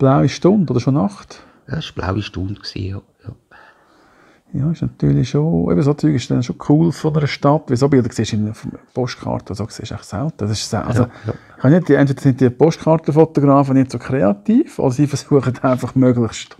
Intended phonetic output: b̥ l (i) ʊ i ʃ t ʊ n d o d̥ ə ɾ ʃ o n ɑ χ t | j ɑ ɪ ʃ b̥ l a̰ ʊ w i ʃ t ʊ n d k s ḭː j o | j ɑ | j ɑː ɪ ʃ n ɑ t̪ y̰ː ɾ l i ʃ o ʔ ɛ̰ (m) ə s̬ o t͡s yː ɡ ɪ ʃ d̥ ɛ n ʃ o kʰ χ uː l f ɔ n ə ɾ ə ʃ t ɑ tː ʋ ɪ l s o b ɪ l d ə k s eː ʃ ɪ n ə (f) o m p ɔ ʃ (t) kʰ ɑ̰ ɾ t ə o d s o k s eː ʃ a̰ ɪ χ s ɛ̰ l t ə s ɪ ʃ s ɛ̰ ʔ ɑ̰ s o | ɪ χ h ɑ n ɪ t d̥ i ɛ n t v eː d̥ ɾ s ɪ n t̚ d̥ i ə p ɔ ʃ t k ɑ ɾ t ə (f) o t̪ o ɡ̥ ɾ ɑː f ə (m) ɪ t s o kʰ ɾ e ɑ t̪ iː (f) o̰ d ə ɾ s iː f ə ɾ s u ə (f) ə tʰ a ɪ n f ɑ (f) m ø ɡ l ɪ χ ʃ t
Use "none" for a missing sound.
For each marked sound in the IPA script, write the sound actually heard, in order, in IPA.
a, b, f, t, f, n, f, χ, χ

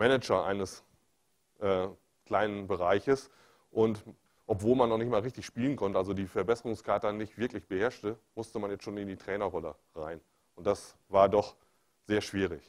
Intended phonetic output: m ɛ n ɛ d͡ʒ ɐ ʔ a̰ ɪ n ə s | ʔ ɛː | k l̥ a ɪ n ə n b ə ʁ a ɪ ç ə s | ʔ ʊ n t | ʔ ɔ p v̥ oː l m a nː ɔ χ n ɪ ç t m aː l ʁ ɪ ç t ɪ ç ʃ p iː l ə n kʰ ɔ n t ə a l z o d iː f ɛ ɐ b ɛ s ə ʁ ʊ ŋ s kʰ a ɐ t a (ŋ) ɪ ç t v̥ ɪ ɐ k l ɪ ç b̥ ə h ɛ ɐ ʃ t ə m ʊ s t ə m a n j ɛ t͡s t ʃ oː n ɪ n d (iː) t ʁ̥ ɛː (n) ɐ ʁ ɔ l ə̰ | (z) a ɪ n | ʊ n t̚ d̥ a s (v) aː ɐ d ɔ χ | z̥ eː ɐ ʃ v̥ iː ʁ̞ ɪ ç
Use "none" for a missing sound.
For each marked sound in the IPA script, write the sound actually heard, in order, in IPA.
n, iː, n, ʁ, v

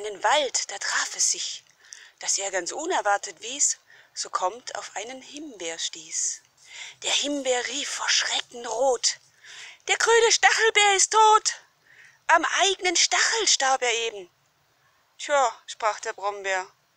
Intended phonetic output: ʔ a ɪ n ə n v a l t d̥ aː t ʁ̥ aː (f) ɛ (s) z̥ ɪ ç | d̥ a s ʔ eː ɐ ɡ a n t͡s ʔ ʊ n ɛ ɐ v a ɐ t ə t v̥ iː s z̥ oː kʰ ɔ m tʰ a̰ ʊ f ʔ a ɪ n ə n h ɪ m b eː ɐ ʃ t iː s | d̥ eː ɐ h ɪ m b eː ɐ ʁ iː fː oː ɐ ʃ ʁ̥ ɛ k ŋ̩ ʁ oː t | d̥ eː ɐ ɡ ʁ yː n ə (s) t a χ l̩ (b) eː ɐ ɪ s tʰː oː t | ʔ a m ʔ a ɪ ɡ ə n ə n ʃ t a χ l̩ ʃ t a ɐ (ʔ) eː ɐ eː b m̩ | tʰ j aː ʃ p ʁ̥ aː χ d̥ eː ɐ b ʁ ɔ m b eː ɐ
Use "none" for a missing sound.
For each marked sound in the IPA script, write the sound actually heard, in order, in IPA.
f, s, ʃ, b, p

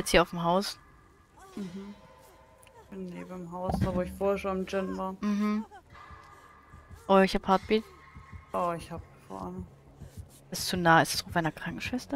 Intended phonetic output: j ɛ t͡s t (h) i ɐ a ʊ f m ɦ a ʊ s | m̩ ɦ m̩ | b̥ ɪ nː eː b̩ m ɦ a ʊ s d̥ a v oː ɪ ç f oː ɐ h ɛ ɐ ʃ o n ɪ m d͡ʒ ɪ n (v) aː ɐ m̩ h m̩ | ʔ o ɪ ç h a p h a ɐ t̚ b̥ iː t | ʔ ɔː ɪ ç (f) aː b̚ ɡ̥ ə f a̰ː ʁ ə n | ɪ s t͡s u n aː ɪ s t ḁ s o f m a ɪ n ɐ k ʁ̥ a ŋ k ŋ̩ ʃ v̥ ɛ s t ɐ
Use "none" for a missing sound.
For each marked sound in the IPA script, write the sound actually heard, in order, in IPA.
h, v, h

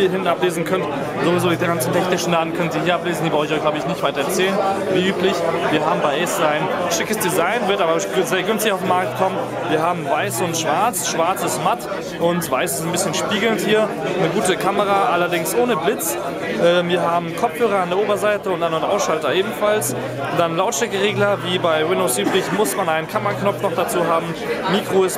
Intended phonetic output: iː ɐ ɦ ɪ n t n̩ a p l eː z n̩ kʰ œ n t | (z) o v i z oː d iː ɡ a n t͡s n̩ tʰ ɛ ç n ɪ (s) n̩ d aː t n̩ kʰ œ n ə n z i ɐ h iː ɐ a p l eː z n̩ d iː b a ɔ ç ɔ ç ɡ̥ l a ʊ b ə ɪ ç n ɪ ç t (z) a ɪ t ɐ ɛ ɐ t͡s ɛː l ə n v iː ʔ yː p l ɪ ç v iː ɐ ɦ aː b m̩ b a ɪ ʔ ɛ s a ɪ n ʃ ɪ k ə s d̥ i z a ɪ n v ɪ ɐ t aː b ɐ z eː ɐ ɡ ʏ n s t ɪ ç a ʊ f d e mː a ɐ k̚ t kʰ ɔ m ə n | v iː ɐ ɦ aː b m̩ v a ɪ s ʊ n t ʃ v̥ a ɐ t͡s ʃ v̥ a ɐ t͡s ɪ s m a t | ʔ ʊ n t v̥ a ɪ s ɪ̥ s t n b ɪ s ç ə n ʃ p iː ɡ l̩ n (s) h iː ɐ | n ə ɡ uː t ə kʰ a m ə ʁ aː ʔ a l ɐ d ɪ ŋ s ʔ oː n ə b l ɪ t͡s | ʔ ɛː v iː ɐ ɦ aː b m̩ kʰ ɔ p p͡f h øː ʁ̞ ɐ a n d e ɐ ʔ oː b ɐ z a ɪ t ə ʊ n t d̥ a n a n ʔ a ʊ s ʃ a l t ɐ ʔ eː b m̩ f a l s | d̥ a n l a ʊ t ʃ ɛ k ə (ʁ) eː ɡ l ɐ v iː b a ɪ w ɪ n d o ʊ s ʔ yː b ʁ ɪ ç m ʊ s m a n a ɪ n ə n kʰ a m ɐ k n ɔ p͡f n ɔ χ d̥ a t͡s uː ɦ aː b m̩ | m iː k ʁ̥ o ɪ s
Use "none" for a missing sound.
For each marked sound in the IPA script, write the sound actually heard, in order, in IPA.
z, ʃ, v, t, ʁ

